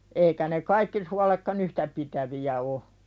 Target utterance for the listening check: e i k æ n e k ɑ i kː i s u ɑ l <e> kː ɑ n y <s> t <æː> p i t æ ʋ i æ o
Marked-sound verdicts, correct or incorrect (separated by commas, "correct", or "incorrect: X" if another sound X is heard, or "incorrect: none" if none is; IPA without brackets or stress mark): correct, incorrect: h, incorrect: æ